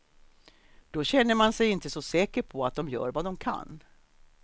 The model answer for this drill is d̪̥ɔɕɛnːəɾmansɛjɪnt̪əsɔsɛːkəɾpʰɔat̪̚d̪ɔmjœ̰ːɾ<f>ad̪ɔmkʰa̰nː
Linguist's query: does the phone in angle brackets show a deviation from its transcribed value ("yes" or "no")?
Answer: yes